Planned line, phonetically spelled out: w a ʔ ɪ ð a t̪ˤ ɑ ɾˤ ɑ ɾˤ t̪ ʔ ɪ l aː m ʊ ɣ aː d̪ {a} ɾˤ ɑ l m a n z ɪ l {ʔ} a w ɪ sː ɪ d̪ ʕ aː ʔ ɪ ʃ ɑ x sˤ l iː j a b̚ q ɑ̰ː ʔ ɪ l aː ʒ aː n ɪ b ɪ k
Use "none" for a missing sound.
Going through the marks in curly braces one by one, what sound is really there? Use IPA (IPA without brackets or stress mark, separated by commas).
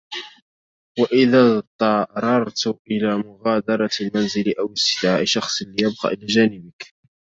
ɑ, ʔ